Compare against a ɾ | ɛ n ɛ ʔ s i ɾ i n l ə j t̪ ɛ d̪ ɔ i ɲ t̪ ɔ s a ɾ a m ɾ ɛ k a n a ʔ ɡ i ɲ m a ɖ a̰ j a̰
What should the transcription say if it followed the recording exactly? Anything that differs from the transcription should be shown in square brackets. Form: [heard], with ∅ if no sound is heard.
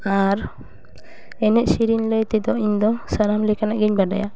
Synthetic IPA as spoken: a ɾ | ɛ n ɛ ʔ s i ɾ i n l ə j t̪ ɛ d̪ ɔ i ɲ [d̪] ɔ s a ɾ a m [l] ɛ k a n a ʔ ɡ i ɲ [b] a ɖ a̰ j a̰